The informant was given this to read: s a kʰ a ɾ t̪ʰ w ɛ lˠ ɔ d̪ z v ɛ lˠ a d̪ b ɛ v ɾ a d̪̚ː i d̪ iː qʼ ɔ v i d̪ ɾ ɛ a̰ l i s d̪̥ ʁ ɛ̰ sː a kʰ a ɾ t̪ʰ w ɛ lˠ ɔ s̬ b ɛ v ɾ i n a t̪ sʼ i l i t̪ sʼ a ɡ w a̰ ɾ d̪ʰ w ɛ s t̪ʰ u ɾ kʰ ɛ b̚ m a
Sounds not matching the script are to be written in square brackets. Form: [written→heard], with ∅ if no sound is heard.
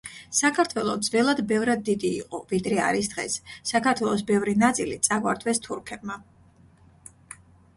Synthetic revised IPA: s a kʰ a ɾ t̪ʰ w ɛ lˠ ɔ d̪ z v ɛ lˠ a d̪ b ɛ v ɾ a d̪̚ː i d̪ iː qʼ ɔ v i d̪ ɾ ɛ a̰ [l→ɾ] i s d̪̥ ʁ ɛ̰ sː a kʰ a ɾ t̪ʰ w ɛ lˠ ɔ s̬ b ɛ v ɾ i n a t̪ sʼ i l i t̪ sʼ a ɡ w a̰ ɾ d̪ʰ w ɛ s t̪ʰ u ɾ kʰ ɛ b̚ m a

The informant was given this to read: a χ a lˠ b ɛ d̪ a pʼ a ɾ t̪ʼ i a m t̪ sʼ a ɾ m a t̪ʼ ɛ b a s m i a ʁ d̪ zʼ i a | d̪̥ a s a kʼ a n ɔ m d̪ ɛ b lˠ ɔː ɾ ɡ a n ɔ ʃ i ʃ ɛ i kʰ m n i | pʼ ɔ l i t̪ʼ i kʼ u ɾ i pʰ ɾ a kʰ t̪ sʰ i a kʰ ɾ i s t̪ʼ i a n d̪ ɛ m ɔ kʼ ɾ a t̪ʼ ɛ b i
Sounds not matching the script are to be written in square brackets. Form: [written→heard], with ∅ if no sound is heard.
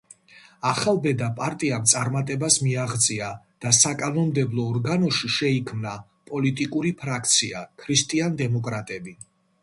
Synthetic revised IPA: a χ a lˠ b ɛ d̪ a pʼ a ɾ t̪ʼ i a m t̪ sʼ a ɾ m a t̪ʼ ɛ b a s m i a ʁ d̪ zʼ i a | d̪̥ a s a kʼ a n ɔ m d̪ ɛ b lˠ ɔː ɾ ɡ a n ɔ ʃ i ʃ ɛ i kʰ m n [i→a] | pʼ ɔ l i t̪ʼ i kʼ u ɾ i pʰ ɾ a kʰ t̪ sʰ i a kʰ ɾ i s t̪ʼ i a n d̪ ɛ m ɔ kʼ ɾ a t̪ʼ ɛ b i

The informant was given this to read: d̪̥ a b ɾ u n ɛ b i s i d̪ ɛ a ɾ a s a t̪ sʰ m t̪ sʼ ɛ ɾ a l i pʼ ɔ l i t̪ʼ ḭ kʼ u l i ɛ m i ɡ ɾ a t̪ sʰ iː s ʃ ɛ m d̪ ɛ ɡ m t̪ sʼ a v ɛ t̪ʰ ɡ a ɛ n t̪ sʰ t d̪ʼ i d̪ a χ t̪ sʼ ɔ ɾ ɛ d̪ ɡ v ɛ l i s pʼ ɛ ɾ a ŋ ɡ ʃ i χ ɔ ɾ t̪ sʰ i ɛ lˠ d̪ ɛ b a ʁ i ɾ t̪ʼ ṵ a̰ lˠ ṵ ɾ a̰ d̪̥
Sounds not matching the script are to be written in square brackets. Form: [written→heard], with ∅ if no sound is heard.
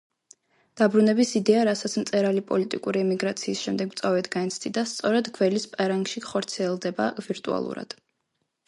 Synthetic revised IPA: d̪̥ a b ɾ u n ɛ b i s i d̪ ɛ a ɾ a s a t̪ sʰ m t̪ sʼ ɛ ɾ a l i pʼ ɔ l i t̪ʼ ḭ kʼ u [l→ɾ] i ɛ m i ɡ ɾ a t̪ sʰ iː s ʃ ɛ m d̪ ɛ ɡ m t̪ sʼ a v ɛ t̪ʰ ɡ a ɛ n t̪ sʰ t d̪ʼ i d̪ a [χ→s] t̪ sʼ ɔ ɾ ɛ d̪ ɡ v ɛ l i s pʼ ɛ ɾ a ŋ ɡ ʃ i χ ɔ ɾ t̪ sʰ i ɛ lˠ d̪ ɛ b a [ʁ→v] i ɾ t̪ʼ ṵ a̰ lˠ ṵ ɾ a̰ d̪̥

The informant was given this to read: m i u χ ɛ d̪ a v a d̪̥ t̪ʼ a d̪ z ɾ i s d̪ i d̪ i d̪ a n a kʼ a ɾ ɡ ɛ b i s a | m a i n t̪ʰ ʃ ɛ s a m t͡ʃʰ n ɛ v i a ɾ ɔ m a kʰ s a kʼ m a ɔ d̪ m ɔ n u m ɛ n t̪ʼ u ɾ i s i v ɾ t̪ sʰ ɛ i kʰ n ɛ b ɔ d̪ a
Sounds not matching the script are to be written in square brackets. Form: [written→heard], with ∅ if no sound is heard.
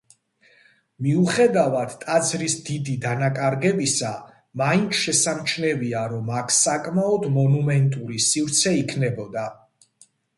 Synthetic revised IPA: m i u χ ɛ d̪ a v a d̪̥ t̪ʼ a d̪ z ɾ i s d̪ i d̪ i d̪ a n a kʼ a ɾ ɡ ɛ b i s a | m a i n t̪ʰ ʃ ɛ s a m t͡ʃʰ n ɛ v i a ɾ ɔ m a kʰ s a kʼ m a ɔ d̪ m ɔ n u m ɛ n t̪ʼ u ɾ i s i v ɾ t̪ sʰ ɛ i kʰ n ɛ b ɔ d̪ a

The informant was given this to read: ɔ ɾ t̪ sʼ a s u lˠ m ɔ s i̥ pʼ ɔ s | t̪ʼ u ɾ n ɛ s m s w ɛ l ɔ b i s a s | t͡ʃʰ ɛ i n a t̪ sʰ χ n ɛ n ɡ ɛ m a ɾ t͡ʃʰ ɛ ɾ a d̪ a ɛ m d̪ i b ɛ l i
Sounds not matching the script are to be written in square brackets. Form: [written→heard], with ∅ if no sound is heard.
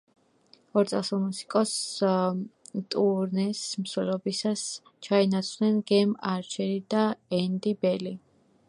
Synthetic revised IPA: ɔ ɾ t̪ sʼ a s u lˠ m [ɔ→u] s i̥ [pʼ→kʼ] ɔ s | t̪ʼ u ɾ n ɛ s m s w ɛ l ɔ b i s a s | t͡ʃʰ [ɛ→a] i n a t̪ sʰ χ n ɛ n ɡ ɛ m a ɾ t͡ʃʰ ɛ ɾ [a→i] d̪ a ɛ [m→n] d̪ i b ɛ l i

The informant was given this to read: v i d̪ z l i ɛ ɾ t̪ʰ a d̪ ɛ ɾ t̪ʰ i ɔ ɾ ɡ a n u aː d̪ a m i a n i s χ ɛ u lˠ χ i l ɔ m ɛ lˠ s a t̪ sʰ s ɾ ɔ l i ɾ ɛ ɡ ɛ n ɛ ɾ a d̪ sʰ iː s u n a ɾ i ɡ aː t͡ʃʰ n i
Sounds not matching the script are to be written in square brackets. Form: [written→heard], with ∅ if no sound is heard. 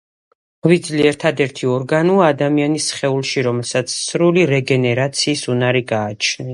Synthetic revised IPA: v i d̪ z l i ɛ ɾ t̪ʰ a d̪ ɛ ɾ t̪ʰ i ɔ ɾ ɡ a n u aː d̪ a m i a n i s χ ɛ u lˠ [χ→ʃ] i [l→ɾ] ɔ m ɛ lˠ s a t̪ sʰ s ɾ [ɔ→u] l i ɾ ɛ ɡ ɛ n ɛ ɾ a [d̪→t̪] sʰ iː s u n a ɾ i ɡ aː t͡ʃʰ n i

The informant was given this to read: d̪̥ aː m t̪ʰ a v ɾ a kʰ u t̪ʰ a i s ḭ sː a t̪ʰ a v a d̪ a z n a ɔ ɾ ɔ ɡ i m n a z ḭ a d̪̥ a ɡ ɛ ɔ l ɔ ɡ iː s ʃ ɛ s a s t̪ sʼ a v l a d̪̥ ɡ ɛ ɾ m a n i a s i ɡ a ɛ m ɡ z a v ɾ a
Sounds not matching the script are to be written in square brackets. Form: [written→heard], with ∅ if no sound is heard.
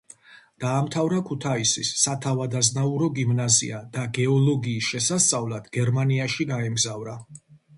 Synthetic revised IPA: d̪̥ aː m t̪ʰ a v ɾ a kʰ u t̪ʰ a i s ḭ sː a t̪ʰ a v a d̪ a z n a [ɔ→u] ɾ ɔ ɡ i m n a z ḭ a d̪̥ a ɡ ɛ ɔ l ɔ ɡ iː s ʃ ɛ s a s t̪ sʼ a v l a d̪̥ ɡ ɛ ɾ m a n i a [s→ʃ] i ɡ a ɛ m ɡ z a v ɾ a

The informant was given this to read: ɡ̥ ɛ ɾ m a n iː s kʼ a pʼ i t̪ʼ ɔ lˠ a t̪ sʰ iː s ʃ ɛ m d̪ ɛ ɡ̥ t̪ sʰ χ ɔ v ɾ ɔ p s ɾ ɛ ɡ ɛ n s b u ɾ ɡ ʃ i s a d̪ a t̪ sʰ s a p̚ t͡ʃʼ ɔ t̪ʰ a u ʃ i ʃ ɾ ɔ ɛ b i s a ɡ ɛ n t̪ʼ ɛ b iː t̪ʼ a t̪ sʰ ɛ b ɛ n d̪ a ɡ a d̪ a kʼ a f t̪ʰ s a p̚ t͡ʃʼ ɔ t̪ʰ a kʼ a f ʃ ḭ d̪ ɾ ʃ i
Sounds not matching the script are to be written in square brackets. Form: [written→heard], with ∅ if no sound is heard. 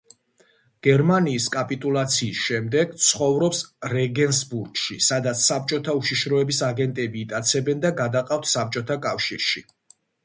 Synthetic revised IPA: ɡ̥ ɛ ɾ m a n iː s kʼ a pʼ i t̪ʼ [ɔ→u] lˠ a t̪ sʰ iː s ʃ ɛ m d̪ ɛ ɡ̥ t̪ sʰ χ ɔ v ɾ ɔ p s ɾ ɛ ɡ ɛ n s b u ɾ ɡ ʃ i s a d̪ a t̪ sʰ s a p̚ t͡ʃʼ ɔ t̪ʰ a u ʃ i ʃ ɾ ɔ ɛ b i s a ɡ ɛ n t̪ʼ ɛ b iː t̪ʼ a t̪ sʰ ɛ b ɛ n d̪ a ɡ a d̪ a [kʼ→qʼ] a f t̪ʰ s a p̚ t͡ʃʼ ɔ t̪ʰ a kʼ a f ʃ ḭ [d̪→∅] ɾ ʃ i

